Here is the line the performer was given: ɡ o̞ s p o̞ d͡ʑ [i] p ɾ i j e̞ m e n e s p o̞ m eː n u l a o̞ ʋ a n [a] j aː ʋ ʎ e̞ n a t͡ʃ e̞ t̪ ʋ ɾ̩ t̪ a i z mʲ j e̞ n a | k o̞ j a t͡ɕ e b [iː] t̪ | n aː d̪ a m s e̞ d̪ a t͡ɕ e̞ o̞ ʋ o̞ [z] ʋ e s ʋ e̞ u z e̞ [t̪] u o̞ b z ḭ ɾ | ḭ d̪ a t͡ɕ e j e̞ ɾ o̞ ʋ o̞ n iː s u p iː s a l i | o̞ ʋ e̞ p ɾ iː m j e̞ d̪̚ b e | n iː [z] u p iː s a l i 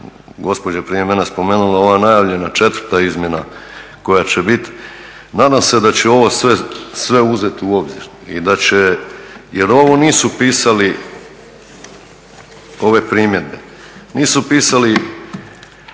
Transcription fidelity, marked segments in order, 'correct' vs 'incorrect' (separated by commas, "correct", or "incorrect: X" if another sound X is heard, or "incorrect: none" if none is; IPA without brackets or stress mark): incorrect: a, correct, incorrect: i, incorrect: s, correct, incorrect: s